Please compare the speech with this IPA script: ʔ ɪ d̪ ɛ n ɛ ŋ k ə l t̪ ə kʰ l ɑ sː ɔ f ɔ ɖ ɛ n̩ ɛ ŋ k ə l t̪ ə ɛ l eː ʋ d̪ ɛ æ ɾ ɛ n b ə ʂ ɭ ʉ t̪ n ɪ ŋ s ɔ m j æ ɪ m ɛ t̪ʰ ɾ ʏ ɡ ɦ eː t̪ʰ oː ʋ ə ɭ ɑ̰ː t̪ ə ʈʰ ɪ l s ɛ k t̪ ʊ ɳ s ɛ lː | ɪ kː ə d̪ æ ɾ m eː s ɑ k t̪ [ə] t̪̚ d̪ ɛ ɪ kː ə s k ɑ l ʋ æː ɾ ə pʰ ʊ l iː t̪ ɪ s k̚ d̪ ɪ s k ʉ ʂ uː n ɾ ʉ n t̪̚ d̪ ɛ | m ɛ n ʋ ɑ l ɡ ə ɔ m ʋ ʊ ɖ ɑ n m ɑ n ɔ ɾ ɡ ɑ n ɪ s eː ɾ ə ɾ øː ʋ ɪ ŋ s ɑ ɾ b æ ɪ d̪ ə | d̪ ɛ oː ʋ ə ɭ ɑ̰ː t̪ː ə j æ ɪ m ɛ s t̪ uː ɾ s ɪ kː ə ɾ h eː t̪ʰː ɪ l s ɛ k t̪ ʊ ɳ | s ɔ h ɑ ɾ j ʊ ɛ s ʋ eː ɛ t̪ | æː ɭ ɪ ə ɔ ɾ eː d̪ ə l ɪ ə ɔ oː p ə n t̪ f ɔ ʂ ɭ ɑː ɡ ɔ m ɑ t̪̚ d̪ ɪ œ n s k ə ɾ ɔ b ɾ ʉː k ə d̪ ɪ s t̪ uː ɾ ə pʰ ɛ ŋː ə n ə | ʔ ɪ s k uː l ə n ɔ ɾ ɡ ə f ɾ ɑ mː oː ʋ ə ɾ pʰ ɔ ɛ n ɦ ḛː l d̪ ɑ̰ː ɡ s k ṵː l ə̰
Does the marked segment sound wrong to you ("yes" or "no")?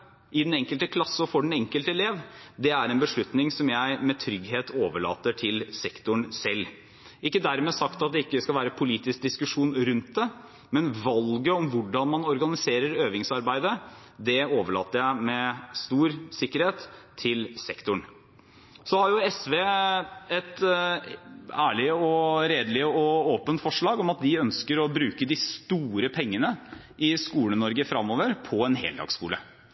yes